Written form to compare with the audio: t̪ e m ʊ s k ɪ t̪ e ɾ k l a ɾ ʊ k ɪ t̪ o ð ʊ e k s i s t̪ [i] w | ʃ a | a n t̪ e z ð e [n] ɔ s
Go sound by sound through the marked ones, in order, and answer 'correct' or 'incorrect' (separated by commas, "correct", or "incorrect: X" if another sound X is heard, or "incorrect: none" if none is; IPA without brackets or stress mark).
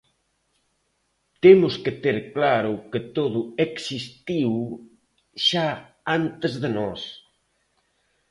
correct, correct